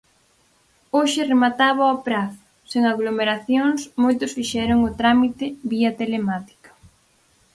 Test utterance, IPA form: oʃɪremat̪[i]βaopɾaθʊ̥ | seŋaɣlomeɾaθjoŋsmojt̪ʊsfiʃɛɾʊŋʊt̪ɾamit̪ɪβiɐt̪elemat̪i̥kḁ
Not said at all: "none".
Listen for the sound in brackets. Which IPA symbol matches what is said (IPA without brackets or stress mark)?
a